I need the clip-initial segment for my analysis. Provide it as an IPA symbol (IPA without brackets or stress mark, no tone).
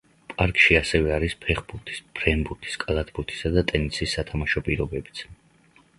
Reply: pʼ